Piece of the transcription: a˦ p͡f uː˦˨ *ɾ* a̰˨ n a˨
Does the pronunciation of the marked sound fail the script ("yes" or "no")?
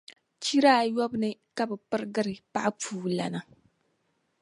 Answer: yes